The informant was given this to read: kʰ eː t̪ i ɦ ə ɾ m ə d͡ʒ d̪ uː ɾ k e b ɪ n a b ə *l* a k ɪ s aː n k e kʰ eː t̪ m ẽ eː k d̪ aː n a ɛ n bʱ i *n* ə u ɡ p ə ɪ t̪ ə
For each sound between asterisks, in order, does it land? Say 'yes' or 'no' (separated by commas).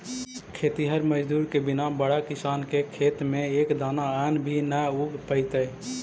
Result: no, yes